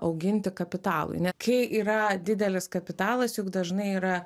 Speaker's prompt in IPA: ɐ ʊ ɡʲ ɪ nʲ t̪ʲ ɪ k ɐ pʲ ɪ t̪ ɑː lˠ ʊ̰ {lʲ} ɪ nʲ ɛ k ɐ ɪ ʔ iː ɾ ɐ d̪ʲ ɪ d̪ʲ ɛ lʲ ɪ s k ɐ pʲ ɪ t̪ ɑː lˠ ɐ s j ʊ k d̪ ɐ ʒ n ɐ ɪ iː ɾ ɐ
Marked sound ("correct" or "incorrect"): incorrect